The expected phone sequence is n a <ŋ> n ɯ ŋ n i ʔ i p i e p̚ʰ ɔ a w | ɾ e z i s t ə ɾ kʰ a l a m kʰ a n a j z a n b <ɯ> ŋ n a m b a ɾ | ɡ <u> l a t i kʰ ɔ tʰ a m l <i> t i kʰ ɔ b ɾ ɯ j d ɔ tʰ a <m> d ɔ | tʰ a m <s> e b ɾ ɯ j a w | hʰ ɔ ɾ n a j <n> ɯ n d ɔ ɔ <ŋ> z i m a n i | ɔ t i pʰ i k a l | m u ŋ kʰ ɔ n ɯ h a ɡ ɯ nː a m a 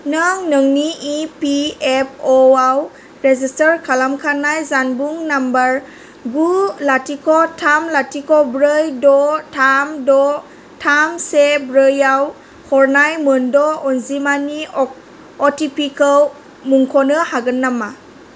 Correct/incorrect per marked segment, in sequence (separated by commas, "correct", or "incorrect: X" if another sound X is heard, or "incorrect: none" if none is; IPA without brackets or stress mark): correct, incorrect: u, correct, incorrect: a, correct, correct, incorrect: m, incorrect: n